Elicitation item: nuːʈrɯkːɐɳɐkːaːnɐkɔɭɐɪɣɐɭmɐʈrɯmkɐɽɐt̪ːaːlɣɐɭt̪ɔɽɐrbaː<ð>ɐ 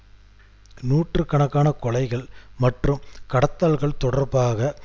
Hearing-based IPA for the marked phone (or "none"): ɣ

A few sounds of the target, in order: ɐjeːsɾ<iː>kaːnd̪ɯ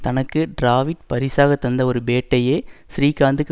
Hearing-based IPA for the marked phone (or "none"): iː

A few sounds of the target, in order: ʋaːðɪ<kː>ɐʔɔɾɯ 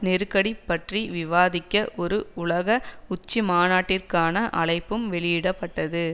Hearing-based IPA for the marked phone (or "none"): kː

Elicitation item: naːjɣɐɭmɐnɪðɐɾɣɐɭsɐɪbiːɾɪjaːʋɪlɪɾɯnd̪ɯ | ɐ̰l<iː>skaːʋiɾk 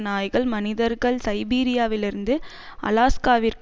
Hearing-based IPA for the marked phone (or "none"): aː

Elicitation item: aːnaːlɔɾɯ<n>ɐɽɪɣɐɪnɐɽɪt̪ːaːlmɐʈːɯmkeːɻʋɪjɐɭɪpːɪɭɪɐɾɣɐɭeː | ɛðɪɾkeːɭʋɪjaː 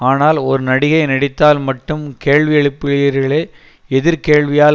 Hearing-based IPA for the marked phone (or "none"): n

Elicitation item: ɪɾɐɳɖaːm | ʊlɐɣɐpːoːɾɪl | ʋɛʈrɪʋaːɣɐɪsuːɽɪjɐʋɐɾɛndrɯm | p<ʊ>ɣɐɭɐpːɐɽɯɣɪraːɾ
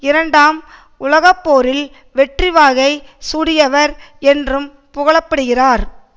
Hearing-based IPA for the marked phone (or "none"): ʊ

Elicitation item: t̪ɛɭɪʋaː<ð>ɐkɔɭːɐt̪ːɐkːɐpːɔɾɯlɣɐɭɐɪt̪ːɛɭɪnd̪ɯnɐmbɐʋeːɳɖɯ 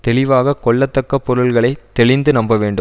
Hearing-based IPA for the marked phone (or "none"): ɣ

